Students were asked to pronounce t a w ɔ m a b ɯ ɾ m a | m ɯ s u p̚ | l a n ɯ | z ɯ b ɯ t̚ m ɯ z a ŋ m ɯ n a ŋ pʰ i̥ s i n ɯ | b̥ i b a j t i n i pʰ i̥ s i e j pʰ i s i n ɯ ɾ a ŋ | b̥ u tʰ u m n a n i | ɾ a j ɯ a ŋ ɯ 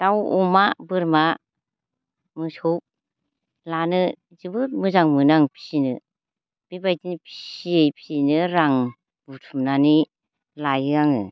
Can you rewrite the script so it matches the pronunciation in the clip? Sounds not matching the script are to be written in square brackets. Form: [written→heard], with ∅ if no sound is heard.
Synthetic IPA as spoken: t a w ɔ m a b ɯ ɾ m a | m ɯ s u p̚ | l a n ɯ | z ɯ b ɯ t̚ m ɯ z a ŋ m ɯ n a ŋ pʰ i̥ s i n ɯ | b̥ i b a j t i n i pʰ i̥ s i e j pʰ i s i n ɯ ɾ a ŋ | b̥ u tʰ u m n a n i | [ɾ→l] a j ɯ a ŋ ɯ